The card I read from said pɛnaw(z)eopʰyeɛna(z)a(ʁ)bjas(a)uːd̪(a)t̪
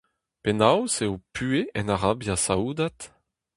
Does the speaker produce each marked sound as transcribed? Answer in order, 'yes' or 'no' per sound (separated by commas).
no, no, no, yes, yes